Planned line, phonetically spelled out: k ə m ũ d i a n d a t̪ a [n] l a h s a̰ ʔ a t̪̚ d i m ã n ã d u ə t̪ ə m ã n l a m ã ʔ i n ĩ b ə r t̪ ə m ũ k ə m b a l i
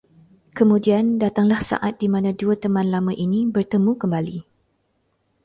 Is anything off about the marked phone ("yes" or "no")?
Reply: yes